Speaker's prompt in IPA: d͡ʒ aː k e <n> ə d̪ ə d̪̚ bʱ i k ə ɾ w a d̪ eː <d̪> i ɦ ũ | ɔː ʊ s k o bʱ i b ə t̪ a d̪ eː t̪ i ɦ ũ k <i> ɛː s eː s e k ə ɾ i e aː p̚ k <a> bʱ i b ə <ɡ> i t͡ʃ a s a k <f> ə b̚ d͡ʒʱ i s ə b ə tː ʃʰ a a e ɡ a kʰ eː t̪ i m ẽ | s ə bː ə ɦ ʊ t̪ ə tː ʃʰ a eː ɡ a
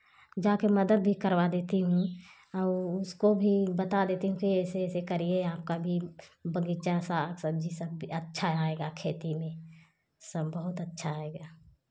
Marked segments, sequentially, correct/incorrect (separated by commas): incorrect, incorrect, correct, correct, correct, incorrect